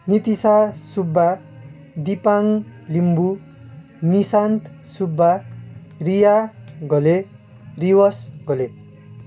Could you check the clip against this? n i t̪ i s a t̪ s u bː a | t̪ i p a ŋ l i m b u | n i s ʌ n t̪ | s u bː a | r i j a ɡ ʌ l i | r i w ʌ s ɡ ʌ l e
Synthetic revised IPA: n i t̪ i s a s u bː a | d̪ i p a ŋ l i m b u | n i s a n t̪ | s u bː a | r i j a ɡ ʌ l e | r i w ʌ s ɡ ʌ l e

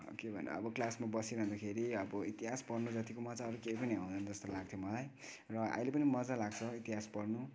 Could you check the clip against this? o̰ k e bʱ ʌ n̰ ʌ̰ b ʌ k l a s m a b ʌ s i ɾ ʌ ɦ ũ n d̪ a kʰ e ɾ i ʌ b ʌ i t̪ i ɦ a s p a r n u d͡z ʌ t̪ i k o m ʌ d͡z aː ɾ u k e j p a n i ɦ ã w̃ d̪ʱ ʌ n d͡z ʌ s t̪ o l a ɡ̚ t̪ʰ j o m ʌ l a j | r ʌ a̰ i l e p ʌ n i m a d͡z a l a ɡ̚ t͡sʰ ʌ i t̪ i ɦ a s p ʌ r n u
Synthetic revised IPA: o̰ k e bʱ ʌ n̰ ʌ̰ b ʌ k l a s m a b ʌ s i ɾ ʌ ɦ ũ n d̪ a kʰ e ɾ i ʌ b ʌ i t̪ i ɦ a s p ʌ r n u d͡z ʌ t̪ i k o m ʌ d͡z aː ɾ u k e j p ʌ n i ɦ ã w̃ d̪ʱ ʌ n d͡z ʌ s t̪ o l a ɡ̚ t̪ʰ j o m ʌ l a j | r ʌ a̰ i l e p ʌ n i m ʌ d͡z a l a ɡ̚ t͡sʰ ʌ i t̪ i ɦ a s p ʌ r n u

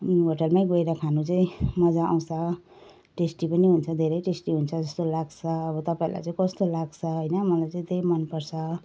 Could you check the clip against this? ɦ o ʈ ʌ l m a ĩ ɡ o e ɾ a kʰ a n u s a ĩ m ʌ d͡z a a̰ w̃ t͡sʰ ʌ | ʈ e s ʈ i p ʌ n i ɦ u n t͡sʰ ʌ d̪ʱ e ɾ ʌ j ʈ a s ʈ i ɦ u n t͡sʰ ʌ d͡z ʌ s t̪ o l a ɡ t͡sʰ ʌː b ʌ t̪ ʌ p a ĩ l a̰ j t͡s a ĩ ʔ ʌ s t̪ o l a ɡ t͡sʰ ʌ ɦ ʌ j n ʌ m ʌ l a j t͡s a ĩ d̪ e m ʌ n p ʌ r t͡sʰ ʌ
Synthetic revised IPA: ɦ o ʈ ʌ l m a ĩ ɡ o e ɾ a kʰ a n u t͡s a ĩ m ʌ d͡z a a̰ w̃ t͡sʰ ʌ | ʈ e s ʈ i p ʌ n i ɦ u n t͡sʰ ʌ d̪ʱ e ɾ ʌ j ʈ e s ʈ i ɦ u n t͡sʰ ʌ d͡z ʌ s t̪ o l a ɡ t͡sʰ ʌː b ʌ t̪ ʌ p a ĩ l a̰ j t͡s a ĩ k ʌ s t̪ o l a ɡ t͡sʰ ʌ ɦ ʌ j n ʌ m ʌ l a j t͡s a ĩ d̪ e m ʌ n p ʌ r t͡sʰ ʌ

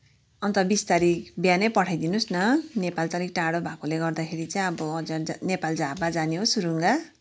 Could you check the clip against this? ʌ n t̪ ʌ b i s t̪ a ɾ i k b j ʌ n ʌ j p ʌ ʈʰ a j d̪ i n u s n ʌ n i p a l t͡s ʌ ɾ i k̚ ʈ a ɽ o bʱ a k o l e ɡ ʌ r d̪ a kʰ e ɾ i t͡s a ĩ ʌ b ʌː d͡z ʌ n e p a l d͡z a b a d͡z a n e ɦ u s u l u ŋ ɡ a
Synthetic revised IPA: ʌ n t̪ ʌ b i s t̪ a ɾ i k b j a n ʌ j p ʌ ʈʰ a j d̪ i n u s n ʌ n e p a l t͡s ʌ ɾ i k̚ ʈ a ɽ o bʱ a k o l e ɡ ʌ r d̪ a kʰ e ɾ i t͡s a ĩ ʌ b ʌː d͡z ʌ n e p a l d͡z a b a d͡z a n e ɦ o s u ɾ u ŋ ɡ a

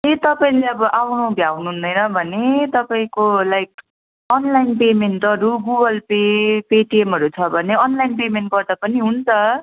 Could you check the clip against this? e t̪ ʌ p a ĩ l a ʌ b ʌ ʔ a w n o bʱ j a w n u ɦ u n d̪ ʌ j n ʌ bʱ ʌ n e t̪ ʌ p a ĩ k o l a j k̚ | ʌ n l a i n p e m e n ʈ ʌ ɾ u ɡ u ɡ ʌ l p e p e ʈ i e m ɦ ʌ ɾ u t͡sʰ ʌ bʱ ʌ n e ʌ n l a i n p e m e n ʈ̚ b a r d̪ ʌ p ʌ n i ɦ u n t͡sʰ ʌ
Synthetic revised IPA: e t̪ ʌ p a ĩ l e ʌ b ʌ ʔ a w n o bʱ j a w n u ɦ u n d̪ ʌ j n ʌ bʱ ʌ n e t̪ ʌ p a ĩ k o l a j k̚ | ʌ n l a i n p e m e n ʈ ʌ ɾ u ɡ u ɡ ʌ l p e p e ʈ i e m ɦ ʌ ɾ u t͡sʰ ʌ bʱ ʌ n e ʌ n l a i n p e m e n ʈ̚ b ʌ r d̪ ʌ p ʌ n i ɦ u n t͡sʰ ʌ

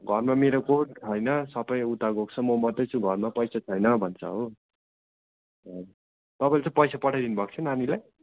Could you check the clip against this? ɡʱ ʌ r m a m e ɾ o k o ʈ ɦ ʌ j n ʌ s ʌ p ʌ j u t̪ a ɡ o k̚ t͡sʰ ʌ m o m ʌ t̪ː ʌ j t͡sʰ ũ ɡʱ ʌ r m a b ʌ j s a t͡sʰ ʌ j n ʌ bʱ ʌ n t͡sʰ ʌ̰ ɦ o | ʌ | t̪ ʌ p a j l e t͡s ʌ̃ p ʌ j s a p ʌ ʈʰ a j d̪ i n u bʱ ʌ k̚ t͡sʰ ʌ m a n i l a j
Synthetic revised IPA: ɡʱ ʌ r m a m e ɾ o k o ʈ ɦ ʌ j n ʌ s ʌ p ʌ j u t̪ a ɡ o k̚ t͡sʰ ʌ m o m ʌ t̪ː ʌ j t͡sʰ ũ ɡʱ ʌ r m a p ʌ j s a t͡sʰ ʌ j n ʌ bʱ ʌ n t͡sʰ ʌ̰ ɦ o | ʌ | t̪ ʌ p a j l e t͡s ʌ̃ p ʌ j s a p ʌ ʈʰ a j d̪ i n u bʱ ʌ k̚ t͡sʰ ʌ n a n i l a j

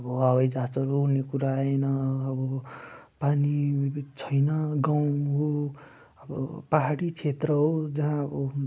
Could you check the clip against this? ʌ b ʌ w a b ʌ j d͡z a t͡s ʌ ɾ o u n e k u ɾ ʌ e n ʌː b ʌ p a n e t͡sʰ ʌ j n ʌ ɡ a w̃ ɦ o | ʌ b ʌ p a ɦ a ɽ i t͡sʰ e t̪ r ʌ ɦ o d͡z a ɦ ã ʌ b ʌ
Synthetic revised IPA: ʌ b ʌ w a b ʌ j d͡z a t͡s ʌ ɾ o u n e k u ɾ a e n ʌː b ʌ p a n i t͡sʰ ʌ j n ʌ ɡ a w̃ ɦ o | ʌ b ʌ p a ɦ a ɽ i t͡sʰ e t̪ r ʌ ɦ o d͡z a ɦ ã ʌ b ʌ

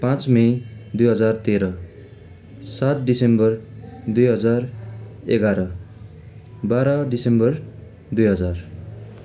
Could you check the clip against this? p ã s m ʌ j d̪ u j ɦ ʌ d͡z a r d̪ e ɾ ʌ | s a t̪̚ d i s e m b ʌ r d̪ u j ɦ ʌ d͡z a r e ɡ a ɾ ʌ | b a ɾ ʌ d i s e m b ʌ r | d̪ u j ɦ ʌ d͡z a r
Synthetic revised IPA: p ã t͡s m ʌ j d̪ u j ɦ ʌ d͡z a r t̪ e ɾ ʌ | s a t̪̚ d i s e m b ʌ r d̪ u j ɦ ʌ d͡z a r e ɡ a ɾ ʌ | b a ɾ ʌ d i s e m b ʌ r | d̪ u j ɦ ʌ d͡z a r

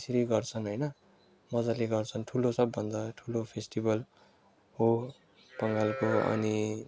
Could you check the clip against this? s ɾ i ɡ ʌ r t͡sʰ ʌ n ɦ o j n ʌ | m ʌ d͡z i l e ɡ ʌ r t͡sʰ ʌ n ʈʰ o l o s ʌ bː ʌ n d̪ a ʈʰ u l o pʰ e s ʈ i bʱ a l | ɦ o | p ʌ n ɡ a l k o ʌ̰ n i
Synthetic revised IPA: s ɾ i ɡ ʌ r t͡sʰ ʌ n ɦ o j n ʌ | m ʌ d͡z a l e ɡ ʌ r t͡sʰ ʌ n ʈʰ u l o s ʌ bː ʌ n d̪ a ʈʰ u l o pʰ e s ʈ i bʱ ʌ l | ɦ o | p ʌ ŋ ɡ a l k o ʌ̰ n i

